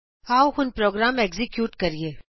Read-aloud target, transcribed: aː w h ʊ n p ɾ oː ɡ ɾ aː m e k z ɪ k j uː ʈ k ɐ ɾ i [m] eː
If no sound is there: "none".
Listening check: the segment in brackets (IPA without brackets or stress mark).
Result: none